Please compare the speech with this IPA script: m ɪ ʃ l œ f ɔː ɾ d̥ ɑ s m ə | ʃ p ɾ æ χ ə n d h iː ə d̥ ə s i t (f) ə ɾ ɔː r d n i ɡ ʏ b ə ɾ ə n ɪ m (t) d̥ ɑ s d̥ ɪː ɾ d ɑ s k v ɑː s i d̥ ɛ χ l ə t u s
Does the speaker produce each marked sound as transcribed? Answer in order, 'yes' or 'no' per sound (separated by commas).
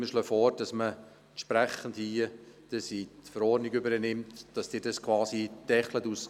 yes, yes